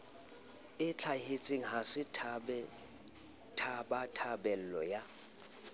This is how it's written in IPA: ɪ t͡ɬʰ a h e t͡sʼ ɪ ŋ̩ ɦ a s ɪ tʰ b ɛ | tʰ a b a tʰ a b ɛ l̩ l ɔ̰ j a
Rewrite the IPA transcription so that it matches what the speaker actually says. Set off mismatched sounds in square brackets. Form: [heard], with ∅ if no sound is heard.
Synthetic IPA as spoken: ɪ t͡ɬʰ a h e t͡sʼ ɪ ŋ̩ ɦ a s ɪ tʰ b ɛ | tʰ a b a tʰ a b ɛ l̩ l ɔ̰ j a